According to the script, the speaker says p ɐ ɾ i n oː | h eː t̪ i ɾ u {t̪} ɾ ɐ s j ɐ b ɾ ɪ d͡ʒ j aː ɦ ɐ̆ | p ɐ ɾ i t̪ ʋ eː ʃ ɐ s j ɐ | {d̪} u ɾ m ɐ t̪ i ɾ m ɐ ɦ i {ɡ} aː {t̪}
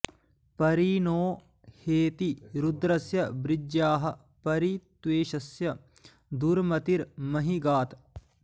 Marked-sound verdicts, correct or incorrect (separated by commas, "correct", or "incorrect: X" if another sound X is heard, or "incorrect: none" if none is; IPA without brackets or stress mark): incorrect: d̪, correct, correct, correct